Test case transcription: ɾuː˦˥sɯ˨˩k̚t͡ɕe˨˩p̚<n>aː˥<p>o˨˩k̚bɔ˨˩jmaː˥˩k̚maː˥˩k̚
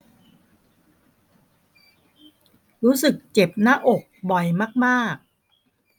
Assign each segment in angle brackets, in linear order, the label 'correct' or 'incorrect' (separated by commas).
correct, incorrect